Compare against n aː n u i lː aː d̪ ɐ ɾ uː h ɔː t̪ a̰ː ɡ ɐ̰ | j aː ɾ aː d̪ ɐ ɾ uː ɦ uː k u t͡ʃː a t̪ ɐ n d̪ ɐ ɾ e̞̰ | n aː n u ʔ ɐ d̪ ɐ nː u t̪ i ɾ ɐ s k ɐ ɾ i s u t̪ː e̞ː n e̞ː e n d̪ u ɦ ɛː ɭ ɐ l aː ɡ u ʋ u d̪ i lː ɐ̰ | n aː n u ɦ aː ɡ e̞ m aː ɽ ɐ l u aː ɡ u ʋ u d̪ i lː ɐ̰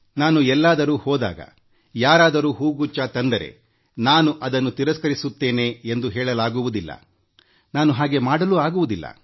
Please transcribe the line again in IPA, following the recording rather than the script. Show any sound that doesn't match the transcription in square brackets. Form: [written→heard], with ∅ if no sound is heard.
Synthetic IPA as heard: n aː n u [i→ɛ] lː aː d̪ ɐ ɾ uː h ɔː [t̪→d̪] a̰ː ɡ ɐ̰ | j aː ɾ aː d̪ ɐ ɾ uː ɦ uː [k→ɡ] u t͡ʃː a t̪ ɐ n d̪ ɐ ɾ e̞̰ | n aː n u ʔ ɐ d̪ ɐ nː u t̪ i ɾ ɐ s k ɐ ɾ i s u t̪ː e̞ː n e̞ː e n d̪ u ɦ ɛː ɭ ɐ l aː ɡ u ʋ u d̪ i lː ɐ̰ | n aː n u ɦ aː ɡ e̞ m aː ɽ ɐ l u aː ɡ u ʋ u d̪ i lː ɐ̰